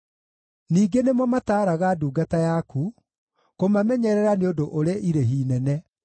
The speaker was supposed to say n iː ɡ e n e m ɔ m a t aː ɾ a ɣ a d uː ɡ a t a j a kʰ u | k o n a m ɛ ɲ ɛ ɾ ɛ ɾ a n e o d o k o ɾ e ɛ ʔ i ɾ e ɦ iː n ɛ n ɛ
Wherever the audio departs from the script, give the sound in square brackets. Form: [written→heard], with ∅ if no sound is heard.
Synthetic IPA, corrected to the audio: n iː ɡ e n e m ɔ m a t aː ɾ a ɣ a d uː ɡ a t a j a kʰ u | k o [n→m] a m ɛ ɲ ɛ ɾ ɛ ɾ a n e o d o [k→ʔ] o ɾ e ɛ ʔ i ɾ e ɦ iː n ɛ n ɛ